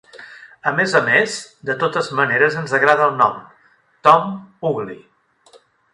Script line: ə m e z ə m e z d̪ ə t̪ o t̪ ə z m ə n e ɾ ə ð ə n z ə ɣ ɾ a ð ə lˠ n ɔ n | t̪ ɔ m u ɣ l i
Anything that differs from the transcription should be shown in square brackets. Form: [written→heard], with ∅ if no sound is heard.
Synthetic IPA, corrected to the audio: ə m e z ə m e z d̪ ə t̪ o t̪ ə z m ə n e ɾ ə [ð→z] ə n z ə ɣ ɾ a ð ə lˠ n ɔ [n→m] | t̪ ɔ m u ɣ l i